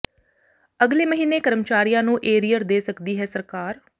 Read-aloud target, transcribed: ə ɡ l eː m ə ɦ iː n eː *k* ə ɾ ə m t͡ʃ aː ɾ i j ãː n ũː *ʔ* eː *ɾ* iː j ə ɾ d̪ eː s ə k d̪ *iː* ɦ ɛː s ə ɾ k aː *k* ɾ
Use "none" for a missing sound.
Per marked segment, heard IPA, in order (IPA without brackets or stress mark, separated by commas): k, ʔ, ɾ, iː, none